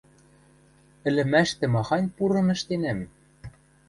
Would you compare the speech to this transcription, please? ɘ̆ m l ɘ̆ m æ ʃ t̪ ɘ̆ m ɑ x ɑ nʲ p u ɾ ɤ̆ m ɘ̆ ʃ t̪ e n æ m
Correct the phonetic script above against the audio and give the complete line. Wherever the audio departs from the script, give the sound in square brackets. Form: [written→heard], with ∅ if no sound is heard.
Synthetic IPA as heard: ɘ̆ [m→∅] l ɘ̆ m æ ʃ t̪ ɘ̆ m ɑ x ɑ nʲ p u ɾ ɤ̆ [m→n] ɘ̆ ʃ t̪ e n æ m